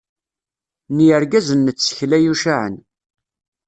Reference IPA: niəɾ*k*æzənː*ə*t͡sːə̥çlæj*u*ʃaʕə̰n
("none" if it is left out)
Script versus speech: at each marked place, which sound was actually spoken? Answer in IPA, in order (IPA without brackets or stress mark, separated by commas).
ɡ, ə, u